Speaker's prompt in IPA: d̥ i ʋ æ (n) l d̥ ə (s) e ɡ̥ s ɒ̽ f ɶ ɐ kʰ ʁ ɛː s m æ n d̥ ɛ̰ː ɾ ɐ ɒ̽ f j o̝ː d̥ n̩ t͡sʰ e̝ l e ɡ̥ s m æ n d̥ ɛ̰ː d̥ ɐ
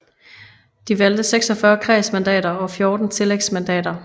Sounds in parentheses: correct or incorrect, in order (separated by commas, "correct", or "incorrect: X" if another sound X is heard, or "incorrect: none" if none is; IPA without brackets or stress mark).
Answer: incorrect: none, correct